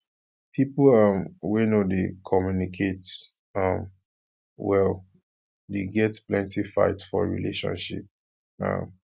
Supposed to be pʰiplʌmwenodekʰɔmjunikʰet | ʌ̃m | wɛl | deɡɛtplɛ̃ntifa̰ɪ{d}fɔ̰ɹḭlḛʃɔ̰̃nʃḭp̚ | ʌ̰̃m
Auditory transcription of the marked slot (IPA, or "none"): t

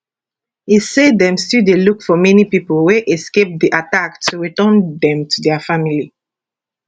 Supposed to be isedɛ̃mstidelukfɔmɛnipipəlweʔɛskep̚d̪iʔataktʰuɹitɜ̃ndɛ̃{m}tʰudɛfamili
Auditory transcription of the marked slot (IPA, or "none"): m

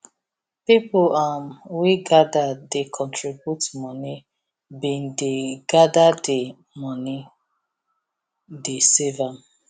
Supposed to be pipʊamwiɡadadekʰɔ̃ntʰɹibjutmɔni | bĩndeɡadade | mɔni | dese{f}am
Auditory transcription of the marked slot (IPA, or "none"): v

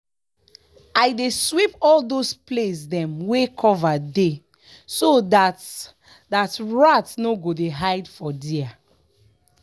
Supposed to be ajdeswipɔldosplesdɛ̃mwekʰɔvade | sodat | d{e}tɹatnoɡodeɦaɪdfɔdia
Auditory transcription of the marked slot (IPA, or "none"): a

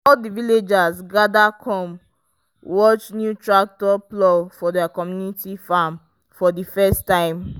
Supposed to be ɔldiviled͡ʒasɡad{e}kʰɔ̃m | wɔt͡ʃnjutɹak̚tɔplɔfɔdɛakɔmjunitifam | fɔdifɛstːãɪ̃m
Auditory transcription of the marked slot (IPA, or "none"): a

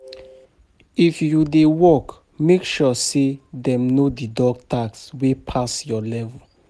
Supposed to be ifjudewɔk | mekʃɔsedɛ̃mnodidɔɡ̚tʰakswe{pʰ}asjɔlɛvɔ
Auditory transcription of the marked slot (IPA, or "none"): pʰ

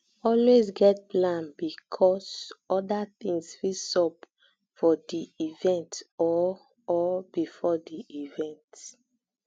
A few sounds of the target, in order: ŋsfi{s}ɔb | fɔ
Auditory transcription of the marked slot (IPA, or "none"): s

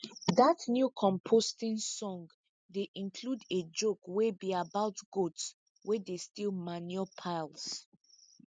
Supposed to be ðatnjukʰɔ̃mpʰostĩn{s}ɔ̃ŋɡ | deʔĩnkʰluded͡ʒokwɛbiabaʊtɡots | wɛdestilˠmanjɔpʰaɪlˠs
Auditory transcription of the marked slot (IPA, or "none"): s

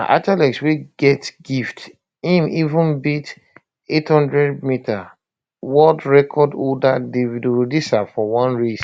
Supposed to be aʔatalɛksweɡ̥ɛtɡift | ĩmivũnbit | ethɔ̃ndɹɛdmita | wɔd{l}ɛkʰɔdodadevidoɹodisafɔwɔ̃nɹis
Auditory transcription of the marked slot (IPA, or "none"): ɹ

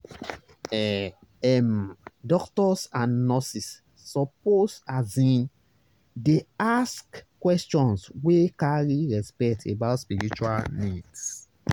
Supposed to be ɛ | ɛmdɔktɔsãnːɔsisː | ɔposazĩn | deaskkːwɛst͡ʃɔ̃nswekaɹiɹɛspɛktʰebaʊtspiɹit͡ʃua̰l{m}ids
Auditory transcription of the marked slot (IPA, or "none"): n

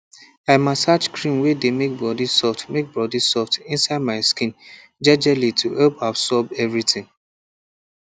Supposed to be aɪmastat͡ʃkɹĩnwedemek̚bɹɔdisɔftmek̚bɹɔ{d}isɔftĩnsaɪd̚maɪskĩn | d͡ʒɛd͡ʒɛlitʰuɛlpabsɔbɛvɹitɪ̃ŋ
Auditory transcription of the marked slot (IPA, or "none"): d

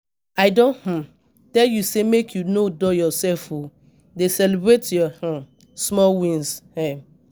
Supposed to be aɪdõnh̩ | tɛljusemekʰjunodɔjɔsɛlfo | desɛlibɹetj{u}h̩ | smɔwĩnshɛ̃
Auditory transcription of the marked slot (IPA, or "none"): ɔ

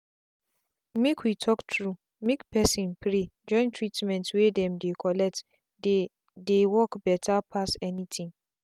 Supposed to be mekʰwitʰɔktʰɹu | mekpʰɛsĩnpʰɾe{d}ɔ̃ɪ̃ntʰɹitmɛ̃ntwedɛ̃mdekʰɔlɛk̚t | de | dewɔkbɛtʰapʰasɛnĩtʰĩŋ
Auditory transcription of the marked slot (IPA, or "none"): d͡ʒ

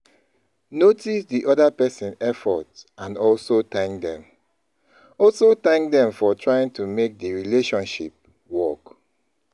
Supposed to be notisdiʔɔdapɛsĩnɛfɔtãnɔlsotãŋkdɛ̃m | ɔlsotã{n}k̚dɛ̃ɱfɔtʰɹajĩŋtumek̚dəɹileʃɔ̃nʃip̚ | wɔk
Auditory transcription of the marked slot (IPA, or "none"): ŋ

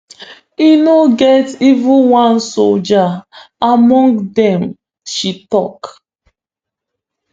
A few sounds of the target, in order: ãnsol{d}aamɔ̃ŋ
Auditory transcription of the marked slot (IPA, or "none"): d͡ʒ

